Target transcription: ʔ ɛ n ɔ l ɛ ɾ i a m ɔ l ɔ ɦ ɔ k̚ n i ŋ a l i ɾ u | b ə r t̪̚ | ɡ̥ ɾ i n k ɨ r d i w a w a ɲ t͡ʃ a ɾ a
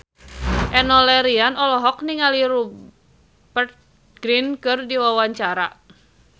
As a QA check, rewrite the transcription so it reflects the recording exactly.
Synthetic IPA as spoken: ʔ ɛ n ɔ l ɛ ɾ i a n ɔ l ɔ ɦ ɔ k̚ n i ŋ a l i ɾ u | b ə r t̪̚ | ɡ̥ ɾ i n k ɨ r d i w a w a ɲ t͡ʃ a ɾ a